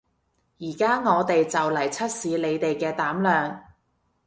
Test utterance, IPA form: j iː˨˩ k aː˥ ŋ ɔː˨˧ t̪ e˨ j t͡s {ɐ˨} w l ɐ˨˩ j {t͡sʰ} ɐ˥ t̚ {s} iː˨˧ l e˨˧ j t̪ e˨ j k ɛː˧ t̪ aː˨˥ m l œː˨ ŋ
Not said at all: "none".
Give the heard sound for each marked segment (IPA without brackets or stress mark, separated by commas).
ɐ˨, t͡sʰ, s